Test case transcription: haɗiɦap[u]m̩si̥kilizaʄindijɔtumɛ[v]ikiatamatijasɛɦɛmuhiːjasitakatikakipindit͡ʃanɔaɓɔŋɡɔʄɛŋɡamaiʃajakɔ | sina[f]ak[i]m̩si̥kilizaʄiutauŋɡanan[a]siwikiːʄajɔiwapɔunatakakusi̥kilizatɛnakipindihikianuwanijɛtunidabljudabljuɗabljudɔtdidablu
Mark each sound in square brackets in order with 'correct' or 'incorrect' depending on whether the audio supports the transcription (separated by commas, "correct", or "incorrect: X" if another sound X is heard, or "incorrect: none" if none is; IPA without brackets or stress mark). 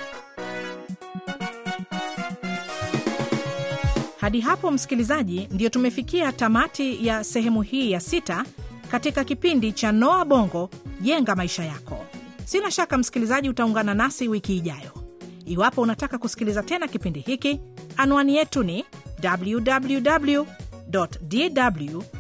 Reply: incorrect: ɔ, incorrect: f, incorrect: ʃ, incorrect: a, correct